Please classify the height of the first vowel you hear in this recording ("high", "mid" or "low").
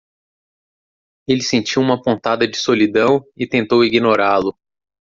mid